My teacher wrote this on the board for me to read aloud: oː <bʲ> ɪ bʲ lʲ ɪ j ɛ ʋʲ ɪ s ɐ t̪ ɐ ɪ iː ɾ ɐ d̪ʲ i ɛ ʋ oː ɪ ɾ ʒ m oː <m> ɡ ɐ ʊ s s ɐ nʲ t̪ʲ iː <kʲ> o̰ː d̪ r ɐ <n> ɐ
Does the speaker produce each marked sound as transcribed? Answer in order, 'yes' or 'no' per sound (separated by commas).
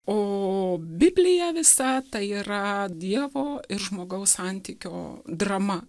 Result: yes, no, yes, no